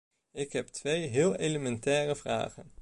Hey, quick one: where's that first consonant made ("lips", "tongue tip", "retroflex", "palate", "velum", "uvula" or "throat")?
velum